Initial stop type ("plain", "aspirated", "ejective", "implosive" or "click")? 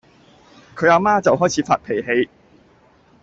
aspirated